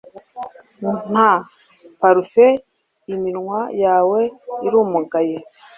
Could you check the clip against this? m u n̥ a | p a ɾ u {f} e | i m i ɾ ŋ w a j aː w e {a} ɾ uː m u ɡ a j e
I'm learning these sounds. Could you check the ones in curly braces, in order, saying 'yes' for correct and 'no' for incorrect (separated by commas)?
yes, no